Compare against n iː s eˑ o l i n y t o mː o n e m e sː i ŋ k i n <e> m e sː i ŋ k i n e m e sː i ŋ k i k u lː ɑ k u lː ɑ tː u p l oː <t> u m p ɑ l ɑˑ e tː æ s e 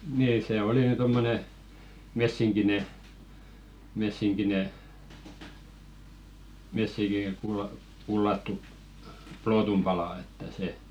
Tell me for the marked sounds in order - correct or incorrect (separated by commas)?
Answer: correct, correct